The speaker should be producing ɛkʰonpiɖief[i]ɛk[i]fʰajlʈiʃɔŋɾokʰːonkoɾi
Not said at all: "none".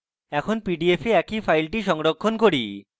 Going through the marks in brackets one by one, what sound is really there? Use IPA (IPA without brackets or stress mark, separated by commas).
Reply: e, i